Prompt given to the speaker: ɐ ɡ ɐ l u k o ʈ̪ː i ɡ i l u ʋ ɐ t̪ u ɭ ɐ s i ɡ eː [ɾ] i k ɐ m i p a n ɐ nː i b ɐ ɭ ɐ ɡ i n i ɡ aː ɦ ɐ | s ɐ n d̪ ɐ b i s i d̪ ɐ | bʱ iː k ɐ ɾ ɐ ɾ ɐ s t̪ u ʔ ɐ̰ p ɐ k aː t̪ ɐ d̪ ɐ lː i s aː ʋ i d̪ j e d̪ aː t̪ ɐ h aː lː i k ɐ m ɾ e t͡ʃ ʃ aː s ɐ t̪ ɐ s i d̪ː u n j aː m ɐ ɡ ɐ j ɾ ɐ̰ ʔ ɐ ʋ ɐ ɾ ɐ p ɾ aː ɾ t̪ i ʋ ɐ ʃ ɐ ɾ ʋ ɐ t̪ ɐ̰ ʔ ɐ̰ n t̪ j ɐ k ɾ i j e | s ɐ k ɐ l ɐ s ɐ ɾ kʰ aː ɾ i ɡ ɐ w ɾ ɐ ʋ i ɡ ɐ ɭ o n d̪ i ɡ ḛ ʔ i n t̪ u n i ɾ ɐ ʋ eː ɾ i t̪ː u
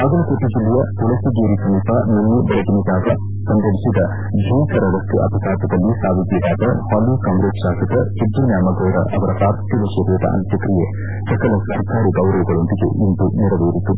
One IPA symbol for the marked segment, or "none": ɾ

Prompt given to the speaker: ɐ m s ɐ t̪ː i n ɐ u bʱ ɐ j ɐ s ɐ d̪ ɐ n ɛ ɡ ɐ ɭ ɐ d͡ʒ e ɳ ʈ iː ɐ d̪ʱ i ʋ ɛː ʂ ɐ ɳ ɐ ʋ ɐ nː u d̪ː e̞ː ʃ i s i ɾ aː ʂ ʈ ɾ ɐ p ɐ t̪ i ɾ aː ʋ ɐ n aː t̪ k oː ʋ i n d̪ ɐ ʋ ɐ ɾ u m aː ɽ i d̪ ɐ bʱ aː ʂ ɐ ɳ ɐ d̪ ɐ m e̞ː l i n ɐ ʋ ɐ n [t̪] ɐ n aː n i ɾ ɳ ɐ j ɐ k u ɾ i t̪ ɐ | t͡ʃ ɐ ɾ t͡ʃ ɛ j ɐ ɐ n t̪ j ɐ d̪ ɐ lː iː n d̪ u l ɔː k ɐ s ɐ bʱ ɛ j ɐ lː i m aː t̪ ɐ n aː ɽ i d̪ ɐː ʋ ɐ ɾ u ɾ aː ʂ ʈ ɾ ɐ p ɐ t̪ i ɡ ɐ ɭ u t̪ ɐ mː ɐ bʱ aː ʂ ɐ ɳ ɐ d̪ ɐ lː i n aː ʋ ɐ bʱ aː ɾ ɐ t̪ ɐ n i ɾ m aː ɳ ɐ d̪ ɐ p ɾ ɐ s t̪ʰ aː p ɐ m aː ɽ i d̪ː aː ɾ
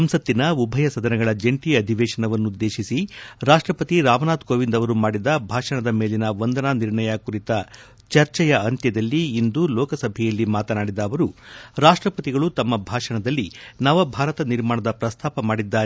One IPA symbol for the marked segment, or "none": d̪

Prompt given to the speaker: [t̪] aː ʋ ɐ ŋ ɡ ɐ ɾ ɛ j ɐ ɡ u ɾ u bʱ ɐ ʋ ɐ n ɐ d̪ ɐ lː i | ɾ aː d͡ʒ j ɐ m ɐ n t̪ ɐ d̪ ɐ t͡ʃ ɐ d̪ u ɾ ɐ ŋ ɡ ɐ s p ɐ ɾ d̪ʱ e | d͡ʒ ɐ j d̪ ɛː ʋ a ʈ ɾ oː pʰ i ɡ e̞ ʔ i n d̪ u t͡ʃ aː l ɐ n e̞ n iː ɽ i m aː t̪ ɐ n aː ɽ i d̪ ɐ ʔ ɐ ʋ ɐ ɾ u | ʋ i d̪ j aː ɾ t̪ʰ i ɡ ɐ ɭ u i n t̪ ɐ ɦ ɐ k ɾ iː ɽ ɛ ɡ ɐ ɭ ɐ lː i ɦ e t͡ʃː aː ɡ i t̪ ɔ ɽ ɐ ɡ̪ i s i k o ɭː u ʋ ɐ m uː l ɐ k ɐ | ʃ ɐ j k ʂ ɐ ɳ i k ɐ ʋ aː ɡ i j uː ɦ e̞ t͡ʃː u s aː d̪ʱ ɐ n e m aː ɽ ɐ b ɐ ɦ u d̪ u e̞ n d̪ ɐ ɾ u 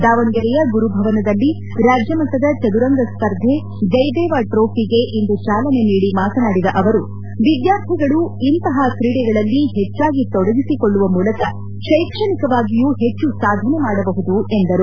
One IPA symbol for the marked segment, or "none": d̪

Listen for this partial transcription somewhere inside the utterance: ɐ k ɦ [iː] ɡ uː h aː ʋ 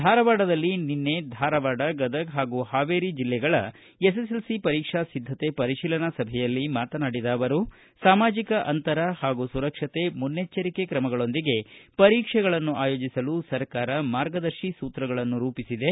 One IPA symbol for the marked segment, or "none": aː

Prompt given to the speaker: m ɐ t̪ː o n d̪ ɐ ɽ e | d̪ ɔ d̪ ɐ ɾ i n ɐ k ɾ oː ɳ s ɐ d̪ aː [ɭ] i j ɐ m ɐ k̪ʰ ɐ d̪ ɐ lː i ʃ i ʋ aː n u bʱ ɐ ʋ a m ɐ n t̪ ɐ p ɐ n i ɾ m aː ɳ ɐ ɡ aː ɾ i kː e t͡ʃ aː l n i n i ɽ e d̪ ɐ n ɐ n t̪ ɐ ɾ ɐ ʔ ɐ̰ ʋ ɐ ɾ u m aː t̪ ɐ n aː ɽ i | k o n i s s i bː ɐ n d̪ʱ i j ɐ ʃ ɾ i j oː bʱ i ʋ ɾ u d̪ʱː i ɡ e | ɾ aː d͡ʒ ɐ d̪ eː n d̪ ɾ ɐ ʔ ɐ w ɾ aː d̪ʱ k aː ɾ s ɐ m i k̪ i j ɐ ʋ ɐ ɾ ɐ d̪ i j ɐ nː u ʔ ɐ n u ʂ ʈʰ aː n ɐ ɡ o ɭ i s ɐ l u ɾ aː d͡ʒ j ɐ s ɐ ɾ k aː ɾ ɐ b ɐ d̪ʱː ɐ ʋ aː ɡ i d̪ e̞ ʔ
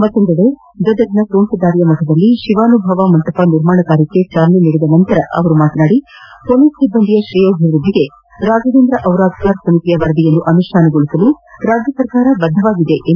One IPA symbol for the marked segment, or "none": ɾ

